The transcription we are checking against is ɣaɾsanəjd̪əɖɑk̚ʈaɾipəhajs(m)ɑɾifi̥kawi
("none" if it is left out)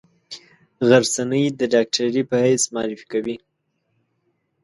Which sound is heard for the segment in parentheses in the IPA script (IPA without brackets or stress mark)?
m